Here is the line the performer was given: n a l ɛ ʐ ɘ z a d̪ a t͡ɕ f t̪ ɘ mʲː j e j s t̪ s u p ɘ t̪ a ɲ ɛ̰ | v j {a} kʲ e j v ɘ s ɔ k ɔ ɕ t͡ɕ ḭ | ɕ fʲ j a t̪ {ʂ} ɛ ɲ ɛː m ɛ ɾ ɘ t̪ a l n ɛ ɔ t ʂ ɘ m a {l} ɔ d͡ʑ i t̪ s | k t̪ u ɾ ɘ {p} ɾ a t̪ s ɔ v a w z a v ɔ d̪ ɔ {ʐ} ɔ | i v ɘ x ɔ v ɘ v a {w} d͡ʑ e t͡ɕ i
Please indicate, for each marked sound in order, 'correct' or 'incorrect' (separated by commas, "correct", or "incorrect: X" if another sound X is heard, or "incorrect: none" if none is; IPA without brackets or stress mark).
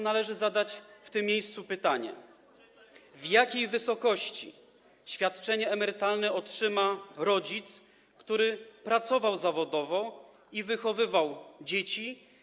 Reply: correct, incorrect: t͡ʂ, incorrect: ɾ, correct, incorrect: v, correct